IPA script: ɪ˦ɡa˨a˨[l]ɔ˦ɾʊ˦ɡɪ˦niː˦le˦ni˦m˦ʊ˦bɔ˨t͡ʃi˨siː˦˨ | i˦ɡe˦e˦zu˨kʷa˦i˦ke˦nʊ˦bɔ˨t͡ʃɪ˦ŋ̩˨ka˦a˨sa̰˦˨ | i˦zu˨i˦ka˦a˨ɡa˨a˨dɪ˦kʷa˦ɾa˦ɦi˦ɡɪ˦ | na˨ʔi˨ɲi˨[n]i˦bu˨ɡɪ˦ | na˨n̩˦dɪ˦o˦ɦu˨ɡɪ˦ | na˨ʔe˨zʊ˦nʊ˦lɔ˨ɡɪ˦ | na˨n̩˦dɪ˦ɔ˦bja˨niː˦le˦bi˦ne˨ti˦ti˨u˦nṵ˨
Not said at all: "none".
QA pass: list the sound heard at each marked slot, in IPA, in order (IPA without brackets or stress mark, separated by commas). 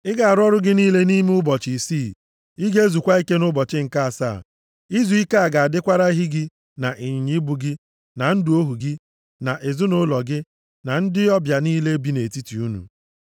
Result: ɾ, ɲ